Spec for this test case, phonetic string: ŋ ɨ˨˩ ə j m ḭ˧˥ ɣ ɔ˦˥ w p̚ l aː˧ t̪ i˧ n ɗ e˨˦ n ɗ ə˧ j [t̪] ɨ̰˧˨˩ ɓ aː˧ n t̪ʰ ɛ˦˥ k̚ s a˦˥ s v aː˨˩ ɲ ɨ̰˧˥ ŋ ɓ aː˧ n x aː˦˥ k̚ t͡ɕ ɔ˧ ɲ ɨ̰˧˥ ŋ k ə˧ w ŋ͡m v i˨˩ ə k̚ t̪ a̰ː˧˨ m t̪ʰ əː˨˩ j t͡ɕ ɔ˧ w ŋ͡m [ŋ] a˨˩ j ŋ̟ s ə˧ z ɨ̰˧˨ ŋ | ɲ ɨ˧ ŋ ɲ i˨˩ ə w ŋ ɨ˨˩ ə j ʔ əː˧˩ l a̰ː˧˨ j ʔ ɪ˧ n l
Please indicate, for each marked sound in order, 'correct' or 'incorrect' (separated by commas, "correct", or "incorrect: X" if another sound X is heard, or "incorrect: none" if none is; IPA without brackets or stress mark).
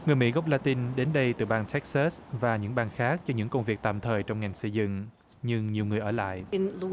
correct, correct